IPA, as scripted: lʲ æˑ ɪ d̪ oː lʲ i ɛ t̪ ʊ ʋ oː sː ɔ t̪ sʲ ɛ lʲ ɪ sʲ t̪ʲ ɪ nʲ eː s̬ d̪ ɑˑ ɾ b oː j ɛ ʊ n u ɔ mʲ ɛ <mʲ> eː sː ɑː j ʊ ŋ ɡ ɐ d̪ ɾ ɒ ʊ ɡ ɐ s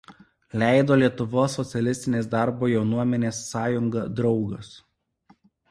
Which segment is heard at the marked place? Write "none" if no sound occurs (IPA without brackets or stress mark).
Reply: nʲ